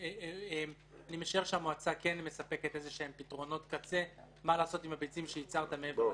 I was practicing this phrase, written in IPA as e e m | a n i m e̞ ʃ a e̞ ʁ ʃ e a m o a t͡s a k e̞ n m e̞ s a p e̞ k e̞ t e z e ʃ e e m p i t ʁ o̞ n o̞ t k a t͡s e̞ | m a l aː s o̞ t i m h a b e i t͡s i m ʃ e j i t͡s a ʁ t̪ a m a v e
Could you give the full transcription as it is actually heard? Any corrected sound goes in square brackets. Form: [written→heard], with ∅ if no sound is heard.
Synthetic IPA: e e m | a n i m e̞ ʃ a e̞ ʁ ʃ e a m o a t͡s a k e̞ n m e̞ s a p e̞ k e̞ t e z e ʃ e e m p i t ʁ o̞ n o̞ t k a t͡s e̞ | m a l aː s o̞ t i m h a b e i t͡s i m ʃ e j i t͡s a ʁ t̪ a m [a→e] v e